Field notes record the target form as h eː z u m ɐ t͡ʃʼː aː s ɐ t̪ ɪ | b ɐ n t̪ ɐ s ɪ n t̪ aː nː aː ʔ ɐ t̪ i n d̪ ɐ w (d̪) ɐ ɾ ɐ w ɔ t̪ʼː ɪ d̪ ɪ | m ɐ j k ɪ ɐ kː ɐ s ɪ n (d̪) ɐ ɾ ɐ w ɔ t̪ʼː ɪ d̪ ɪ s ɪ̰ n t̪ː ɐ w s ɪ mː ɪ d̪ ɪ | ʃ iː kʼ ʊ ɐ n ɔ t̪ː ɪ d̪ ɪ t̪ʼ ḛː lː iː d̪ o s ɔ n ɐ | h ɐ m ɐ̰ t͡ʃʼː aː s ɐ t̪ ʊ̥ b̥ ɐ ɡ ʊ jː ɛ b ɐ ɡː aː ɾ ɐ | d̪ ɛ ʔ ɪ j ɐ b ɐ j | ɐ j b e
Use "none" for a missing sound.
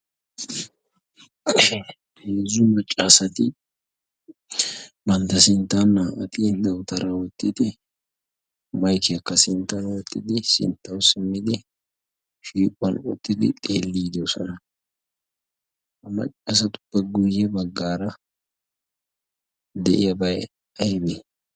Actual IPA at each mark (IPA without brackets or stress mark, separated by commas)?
t̪, t̪